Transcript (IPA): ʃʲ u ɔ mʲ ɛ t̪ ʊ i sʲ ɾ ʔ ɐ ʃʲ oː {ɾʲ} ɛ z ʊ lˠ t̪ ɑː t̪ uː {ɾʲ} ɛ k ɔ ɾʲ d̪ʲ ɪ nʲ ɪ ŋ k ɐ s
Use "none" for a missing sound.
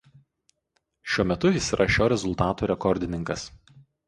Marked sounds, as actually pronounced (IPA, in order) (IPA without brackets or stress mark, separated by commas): ɾʲ, ɾʲ